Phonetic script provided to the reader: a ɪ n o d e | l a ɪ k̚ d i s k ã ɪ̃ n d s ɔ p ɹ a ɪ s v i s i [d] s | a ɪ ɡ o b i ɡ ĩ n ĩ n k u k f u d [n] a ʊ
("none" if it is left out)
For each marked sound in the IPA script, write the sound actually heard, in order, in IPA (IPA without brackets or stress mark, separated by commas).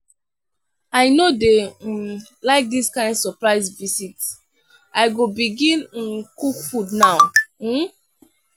t, n